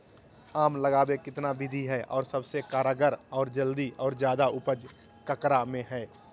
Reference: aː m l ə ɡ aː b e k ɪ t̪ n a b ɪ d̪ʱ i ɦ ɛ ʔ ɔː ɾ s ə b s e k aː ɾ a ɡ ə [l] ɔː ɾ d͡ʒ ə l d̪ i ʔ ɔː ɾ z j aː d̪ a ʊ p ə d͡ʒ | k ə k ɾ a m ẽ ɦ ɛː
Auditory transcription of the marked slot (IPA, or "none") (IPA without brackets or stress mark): ɾ